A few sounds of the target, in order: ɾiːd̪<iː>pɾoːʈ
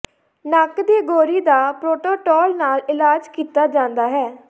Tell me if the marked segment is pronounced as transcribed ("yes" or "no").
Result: no